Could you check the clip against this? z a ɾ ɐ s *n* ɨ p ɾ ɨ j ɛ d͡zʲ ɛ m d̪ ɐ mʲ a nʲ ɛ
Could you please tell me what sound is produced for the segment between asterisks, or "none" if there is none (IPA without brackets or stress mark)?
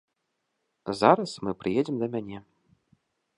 m